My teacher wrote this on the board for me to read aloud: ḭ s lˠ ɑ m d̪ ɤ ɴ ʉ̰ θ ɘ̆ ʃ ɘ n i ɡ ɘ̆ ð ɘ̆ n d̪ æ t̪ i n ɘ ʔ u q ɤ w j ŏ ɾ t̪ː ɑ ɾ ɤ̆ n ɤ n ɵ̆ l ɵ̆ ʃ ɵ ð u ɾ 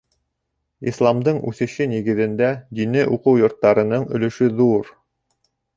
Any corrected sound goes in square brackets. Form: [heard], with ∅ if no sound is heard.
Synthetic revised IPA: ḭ s lˠ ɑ m d̪ ɤ ɴ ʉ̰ θ ɘ̆ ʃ ɘ n i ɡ ɘ̆ ð ɘ̆ n d̪ æ [d̪] i n ɘ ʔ u q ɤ w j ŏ ɾ t̪ː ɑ ɾ ɤ̆ n ɤ [ɴ] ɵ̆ l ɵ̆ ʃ ɵ ð u ɾ